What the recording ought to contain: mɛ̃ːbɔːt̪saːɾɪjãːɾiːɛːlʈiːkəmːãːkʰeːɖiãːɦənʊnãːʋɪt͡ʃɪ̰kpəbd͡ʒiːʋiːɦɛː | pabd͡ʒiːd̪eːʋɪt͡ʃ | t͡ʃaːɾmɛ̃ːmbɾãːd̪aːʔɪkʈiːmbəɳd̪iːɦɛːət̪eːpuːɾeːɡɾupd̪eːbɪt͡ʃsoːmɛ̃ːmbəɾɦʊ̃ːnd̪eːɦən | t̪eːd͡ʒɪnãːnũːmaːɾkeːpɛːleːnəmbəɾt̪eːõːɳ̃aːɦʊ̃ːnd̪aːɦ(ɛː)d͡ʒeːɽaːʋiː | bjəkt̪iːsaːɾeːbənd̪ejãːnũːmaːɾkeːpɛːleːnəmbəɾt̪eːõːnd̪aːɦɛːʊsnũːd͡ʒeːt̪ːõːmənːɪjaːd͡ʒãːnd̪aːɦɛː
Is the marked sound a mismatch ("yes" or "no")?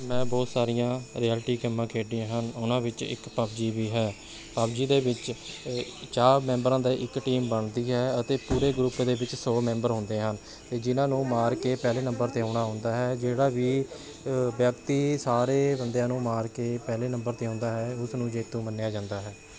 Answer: no